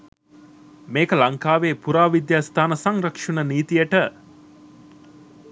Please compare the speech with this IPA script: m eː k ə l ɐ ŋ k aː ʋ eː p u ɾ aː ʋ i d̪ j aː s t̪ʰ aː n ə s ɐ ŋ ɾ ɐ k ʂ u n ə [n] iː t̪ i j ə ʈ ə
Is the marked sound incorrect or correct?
correct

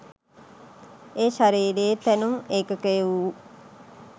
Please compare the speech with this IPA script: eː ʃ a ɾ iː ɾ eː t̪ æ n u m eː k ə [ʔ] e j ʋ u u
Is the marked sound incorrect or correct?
incorrect: k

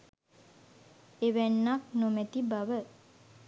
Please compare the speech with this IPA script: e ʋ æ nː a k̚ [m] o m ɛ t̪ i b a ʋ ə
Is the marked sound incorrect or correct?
incorrect: n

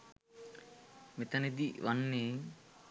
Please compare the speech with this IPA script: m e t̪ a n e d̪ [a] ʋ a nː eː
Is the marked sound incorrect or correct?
incorrect: i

